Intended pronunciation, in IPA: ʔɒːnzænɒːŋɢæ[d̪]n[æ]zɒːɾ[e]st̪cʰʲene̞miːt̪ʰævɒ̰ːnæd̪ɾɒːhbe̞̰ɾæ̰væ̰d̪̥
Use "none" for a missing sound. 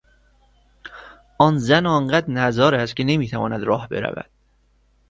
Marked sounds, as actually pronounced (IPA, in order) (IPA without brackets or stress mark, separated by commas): d̪, æ, æ